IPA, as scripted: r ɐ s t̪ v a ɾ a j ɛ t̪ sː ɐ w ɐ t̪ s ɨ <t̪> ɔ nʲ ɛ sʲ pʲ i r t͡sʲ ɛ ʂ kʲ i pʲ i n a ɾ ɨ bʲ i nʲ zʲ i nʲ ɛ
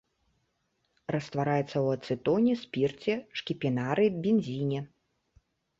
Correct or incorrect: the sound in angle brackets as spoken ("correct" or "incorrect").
correct